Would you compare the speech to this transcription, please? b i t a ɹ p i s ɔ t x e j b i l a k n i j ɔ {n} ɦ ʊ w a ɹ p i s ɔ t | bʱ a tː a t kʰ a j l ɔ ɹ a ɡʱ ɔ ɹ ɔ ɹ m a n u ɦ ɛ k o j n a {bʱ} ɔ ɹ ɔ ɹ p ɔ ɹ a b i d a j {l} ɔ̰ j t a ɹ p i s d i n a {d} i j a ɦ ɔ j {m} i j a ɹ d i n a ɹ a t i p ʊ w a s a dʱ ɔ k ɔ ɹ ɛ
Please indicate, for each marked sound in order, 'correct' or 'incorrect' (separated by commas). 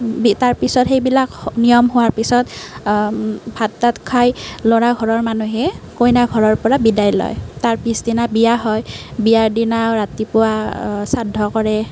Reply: incorrect, incorrect, correct, incorrect, incorrect